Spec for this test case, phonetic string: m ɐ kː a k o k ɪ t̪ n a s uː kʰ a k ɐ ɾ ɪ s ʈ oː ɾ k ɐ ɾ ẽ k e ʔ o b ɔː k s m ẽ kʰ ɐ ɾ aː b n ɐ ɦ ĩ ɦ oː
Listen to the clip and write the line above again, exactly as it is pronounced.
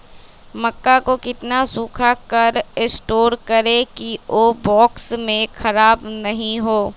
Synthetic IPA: m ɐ kː a k o k ɪ t̪ n a s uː kʰ a k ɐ ɾ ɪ s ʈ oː ɾ k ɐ ɾ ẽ k i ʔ o b ɔː k s m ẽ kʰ ɐ ɾ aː b n ɐ ɦ ĩ ɦ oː